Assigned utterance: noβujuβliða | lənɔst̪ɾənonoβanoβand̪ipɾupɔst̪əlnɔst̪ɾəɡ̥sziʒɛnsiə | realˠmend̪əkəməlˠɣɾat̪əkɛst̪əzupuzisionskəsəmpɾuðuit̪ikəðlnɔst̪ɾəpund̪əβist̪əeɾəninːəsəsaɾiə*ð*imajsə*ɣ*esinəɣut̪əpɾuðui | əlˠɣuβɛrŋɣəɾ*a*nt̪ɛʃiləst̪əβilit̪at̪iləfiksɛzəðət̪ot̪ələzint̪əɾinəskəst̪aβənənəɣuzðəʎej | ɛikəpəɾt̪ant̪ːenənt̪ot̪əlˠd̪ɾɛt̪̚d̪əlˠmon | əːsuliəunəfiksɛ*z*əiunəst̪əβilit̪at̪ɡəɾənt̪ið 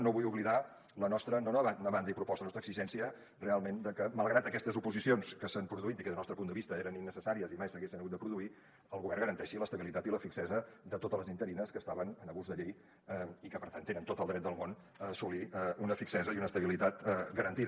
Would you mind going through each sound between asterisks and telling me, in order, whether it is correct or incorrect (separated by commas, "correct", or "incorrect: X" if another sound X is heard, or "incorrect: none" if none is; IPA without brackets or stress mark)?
incorrect: z, correct, incorrect: ə, correct